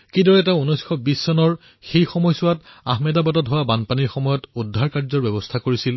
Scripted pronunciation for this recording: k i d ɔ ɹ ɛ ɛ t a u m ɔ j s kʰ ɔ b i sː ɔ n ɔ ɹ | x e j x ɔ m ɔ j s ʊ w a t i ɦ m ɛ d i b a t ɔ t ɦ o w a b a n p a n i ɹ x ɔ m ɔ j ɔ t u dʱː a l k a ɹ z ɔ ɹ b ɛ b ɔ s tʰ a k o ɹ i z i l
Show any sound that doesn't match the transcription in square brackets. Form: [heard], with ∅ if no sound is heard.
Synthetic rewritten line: k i d ɔ ɹ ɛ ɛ t a u [n] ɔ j s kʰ ɔ b i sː ɔ n ɔ ɹ | x e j x ɔ m ɔ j s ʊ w a t [a] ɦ m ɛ d [a] b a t ɔ t ɦ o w a b a n p a n i ɹ x ɔ m ɔ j ɔ t u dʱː a [ɹ] k a ɹ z ɔ ɹ b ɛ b ɔ s tʰ a k o ɹ i [s] i l